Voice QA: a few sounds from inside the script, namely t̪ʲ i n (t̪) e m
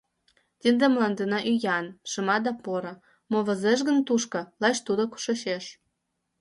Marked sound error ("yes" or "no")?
yes